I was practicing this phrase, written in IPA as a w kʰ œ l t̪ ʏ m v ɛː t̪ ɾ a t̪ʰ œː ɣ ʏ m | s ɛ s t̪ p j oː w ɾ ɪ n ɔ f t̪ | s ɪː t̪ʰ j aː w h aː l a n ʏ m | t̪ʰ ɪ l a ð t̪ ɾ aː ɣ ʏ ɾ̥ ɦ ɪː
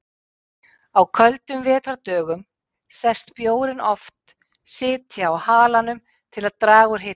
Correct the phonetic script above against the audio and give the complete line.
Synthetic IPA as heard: a w kʰ œ l t̪ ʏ m v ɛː t̪ ɾ a t̪ œː ɣ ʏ m | s ɛ s t̪ p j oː w ɾ ɪ n ɔ f t̪ | s ɪː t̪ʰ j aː w h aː l a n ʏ m | t̪ʰ ɪ l a ð t̪ ɾ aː ɣ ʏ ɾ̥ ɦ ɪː